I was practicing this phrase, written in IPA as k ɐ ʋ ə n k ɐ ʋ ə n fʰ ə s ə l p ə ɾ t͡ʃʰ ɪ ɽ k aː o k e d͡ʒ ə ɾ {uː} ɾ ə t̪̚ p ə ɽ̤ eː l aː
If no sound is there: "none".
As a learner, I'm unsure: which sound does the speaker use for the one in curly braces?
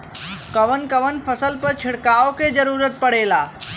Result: uː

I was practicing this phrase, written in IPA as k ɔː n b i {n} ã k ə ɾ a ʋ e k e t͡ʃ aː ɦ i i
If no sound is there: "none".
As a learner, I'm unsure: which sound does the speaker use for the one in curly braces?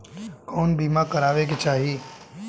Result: m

